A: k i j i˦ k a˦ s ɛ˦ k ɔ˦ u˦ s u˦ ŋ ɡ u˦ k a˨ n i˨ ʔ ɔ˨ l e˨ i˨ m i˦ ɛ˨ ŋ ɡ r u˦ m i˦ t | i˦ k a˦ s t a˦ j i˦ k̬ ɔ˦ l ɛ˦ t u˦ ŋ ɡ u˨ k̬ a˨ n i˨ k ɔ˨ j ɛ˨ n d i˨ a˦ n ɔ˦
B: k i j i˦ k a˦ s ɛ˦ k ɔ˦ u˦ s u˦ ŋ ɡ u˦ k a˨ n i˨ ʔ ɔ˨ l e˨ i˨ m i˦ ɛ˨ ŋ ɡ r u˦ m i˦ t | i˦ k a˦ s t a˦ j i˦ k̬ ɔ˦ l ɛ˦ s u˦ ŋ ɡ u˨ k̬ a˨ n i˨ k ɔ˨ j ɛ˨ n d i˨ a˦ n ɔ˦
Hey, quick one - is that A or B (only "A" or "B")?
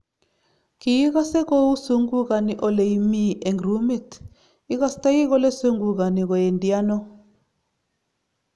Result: B